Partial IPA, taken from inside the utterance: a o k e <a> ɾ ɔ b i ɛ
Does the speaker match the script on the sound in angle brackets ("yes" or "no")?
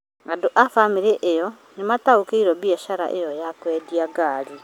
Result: no